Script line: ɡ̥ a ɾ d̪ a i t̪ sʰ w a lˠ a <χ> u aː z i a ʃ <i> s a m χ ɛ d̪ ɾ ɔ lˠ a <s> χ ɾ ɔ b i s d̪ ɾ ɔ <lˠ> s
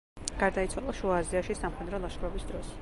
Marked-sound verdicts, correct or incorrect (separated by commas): incorrect, correct, incorrect, incorrect